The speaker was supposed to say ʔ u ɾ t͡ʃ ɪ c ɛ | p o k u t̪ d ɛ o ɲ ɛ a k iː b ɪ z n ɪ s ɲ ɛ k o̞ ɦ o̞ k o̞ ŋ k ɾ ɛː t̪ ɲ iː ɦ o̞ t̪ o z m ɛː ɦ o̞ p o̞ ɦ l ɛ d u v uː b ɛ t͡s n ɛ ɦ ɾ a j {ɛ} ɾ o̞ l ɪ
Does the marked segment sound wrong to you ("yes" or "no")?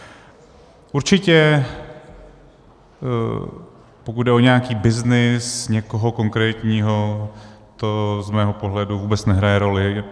no